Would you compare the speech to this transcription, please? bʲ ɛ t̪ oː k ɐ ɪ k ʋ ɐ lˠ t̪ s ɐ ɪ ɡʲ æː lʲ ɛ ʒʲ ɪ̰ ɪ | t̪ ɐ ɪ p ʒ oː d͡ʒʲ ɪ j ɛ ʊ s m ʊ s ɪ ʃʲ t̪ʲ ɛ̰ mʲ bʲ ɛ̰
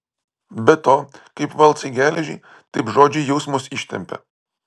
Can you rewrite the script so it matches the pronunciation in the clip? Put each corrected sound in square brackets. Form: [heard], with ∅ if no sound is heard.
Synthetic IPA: bʲ ɛ t̪ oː k ɐ ɪ [p] ʋ ɐ lˠ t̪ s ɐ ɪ ɡʲ æː lʲ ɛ ʒʲ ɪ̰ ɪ | t̪ ɐ ɪ p ʒ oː d͡ʒʲ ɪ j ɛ ʊ s m ʊ s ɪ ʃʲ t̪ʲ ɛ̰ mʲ [pʲ] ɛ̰